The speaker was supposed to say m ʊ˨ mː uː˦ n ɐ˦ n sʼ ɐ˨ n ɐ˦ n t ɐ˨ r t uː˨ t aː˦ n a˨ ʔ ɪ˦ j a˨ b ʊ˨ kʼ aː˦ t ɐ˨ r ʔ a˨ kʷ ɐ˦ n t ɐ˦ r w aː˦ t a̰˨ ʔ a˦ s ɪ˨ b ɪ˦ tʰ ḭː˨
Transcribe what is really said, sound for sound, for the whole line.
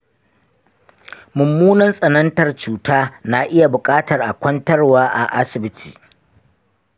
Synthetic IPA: m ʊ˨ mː uː˦ n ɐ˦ n sʼ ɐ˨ n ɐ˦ n t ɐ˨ r t͡ʃ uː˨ t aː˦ n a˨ ʔ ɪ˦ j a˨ b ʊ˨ kʼ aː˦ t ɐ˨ r ʔ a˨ kʷ ɐ˦ n t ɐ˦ r w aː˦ ʔ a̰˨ ʔ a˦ s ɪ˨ b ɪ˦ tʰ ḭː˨